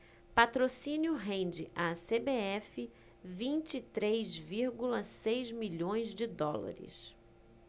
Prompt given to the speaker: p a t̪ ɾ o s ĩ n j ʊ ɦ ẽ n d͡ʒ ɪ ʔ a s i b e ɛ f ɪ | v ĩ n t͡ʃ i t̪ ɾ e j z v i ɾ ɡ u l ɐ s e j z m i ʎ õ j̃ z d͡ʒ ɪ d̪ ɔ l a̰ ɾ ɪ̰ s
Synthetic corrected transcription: p a t̪ ɾ o s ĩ n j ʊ ɦ ẽ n d͡ʒ ɪ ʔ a s e b e ɛ f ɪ | v ĩ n t͡ʃ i t̪ ɾ e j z v i ɾ ɡ u l ɐ s e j z m i ʎ õ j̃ z d͡ʒ ɪ d̪ ɔ l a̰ ɾ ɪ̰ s

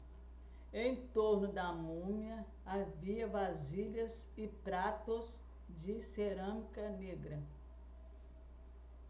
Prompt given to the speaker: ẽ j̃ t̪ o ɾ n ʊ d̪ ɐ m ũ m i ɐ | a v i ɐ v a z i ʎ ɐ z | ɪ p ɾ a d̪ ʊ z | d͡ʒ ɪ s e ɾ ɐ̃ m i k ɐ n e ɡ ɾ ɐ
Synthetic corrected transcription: ẽ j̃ t̪ o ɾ n ʊ d̪ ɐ m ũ m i ɐ | a v i ɐ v a z i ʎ ɐ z | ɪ p ɾ a t̪ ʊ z | d͡ʒ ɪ s e ɾ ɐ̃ m i k ɐ n e ɡ ɾ ɐ

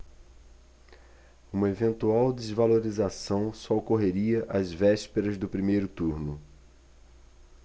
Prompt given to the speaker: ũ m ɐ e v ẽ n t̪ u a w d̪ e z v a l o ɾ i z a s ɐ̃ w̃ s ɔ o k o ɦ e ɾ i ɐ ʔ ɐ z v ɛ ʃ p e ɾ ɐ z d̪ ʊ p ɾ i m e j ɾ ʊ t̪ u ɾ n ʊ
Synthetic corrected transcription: ũ m ɐ e v ẽ n t̪ u a w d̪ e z v a l o ɾ i z a s ɐ̃ w̃ s ɔ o k o ɦ e ɾ i ɐ ʔ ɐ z v ɛ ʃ p e ɾ ɐ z d̪ ʊ p ɾ i m e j ɾ ʊ t̪ u ɾ n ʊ

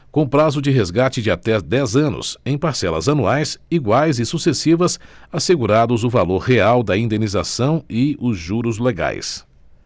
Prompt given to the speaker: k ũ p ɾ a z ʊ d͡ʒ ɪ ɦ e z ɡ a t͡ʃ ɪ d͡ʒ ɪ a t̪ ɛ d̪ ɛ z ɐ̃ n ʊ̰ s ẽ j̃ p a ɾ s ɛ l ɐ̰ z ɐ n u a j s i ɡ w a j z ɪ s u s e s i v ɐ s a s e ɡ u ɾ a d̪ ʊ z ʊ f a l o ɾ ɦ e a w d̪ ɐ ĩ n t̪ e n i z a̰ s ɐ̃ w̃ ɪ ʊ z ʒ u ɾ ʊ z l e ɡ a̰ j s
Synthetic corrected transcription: k õ p ɾ a z ʊ d͡ʒ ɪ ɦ e z ɡ a t͡ʃ ɪ d͡ʒ ɪ a t̪ ɛ d̪ ɛ z ɐ̃ n ʊ̰ s ẽ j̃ p a ɾ s ɛ l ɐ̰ z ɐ n u a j s i ɡ w a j z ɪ s u s e s i v ɐ s a s e ɡ u ɾ a d̪ ʊ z ʊ v a l o ɾ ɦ e a w d̪ ɐ ĩ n d̪ e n i z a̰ s ɐ̃ w̃ ɪ ʊ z ʒ u ɾ ʊ z l e ɡ a̰ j s

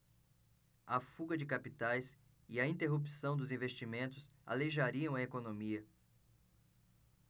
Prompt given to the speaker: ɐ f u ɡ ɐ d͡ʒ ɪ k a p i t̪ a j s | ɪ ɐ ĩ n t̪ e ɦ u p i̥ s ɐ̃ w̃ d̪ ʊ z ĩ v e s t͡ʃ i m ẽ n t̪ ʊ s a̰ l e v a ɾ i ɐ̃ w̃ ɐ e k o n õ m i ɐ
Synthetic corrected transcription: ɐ f u ɡ ɐ d͡ʒ ɪ k a p i t̪ a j s | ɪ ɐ ĩ n t̪ e ɦ u p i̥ s ɐ̃ w̃ d̪ ʊ z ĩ v e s t͡ʃ i m ẽ n t̪ ʊ s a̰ l e ʒ a ɾ i ɐ̃ w̃ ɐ e k o n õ m i ɐ

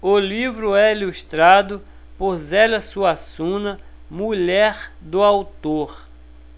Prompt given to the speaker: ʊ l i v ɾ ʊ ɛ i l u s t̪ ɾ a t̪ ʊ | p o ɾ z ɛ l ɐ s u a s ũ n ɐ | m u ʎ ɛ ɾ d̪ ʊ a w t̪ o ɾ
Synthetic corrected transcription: ʊ l i v ɾ ʊ ɛ i l u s t̪ ɾ a d̪ ʊ | p o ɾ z ɛ l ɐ s u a s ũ n ɐ | m u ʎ ɛ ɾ d̪ ʊ a w t̪ o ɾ

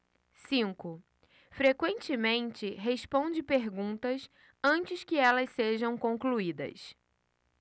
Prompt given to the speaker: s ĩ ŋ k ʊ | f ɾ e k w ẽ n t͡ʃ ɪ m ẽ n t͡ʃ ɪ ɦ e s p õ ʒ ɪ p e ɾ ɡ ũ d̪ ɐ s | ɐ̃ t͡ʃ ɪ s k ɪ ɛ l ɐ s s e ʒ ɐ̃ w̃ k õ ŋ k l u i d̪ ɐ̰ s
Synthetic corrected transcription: s ĩ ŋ k ʊ | f ɾ e k w ẽ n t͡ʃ ɪ m ẽ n t͡ʃ ɪ ɦ e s p õ d͡ʒ ɪ p e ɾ ɡ ũ t̪ ɐ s | ɐ̃ t͡ʃ ɪ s k ɪ ɛ l ɐ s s e ʒ ɐ̃ w̃ k õ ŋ k l u i d̪ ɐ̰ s

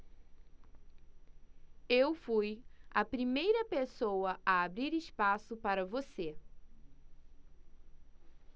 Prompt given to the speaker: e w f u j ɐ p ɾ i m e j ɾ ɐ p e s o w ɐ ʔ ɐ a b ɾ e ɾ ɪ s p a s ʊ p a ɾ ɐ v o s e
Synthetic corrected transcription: e w f u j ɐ p ɾ i m e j ɾ ɐ p e s o w ɐ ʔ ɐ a b ɾ i ɾ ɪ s p a s ʊ p a ɾ ɐ v o s e

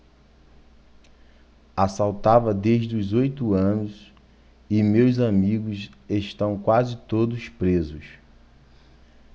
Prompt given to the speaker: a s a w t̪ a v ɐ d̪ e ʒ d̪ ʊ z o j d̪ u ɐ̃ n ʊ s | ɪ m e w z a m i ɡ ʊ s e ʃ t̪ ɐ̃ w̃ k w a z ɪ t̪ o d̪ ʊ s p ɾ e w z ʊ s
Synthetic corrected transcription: a s a w t̪ a v ɐ d̪ e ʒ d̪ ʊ z o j t̪ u ɐ̃ n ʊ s | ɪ m e w z a m i ɡ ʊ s e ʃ t̪ ɐ̃ w̃ k w a z ɪ t̪ o d̪ ʊ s p ɾ e z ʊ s

